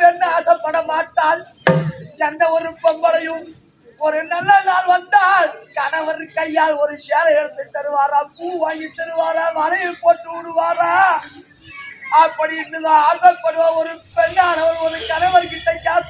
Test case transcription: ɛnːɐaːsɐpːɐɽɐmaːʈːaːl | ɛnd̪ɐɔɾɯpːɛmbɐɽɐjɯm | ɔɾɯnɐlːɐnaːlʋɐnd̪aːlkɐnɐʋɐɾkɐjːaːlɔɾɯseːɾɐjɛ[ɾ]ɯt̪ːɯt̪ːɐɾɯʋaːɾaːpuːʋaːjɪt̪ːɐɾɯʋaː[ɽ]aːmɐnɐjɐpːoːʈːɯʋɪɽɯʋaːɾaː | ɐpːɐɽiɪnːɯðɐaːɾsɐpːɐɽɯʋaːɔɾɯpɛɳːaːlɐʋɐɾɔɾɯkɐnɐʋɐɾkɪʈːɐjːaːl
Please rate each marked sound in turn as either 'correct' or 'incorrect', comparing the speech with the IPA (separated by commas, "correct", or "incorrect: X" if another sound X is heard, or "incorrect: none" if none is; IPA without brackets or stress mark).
incorrect: ɽ, incorrect: ɾ